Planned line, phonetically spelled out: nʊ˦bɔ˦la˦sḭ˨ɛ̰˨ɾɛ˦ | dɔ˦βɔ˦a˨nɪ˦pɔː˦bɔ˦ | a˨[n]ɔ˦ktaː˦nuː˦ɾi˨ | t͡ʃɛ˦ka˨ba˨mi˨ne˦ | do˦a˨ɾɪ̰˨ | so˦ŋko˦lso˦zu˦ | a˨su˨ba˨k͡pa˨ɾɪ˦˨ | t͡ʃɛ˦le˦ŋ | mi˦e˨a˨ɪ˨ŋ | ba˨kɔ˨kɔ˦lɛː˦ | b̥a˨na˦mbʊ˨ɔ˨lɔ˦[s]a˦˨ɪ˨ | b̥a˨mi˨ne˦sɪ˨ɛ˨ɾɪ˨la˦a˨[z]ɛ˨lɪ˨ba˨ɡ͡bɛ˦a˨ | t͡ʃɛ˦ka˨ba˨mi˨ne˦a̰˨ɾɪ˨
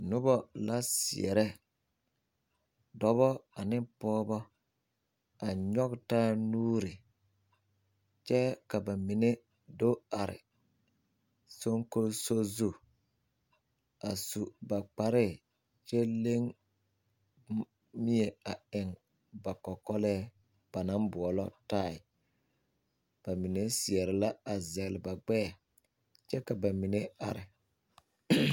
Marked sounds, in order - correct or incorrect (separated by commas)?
incorrect, incorrect, correct